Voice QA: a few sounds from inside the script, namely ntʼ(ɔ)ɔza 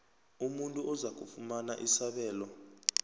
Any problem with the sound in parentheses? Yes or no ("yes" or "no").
yes